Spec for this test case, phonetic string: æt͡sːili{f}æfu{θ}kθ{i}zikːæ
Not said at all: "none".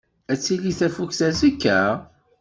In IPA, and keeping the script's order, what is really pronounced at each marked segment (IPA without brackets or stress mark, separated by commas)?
θ, none, æ